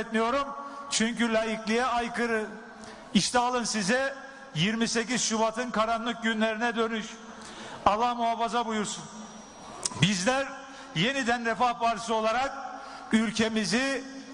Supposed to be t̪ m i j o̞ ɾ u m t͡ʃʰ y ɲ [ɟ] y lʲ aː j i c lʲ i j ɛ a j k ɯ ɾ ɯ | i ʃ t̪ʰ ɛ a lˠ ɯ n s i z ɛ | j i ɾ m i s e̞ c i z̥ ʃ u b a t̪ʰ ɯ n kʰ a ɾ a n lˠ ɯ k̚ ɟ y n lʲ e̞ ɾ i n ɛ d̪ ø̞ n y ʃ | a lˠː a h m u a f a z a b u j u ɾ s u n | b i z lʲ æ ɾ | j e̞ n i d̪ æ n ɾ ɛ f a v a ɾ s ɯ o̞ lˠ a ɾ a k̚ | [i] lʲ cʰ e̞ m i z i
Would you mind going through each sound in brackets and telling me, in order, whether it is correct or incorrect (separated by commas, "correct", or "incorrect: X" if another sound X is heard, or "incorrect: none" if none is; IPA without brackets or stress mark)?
incorrect: c, incorrect: y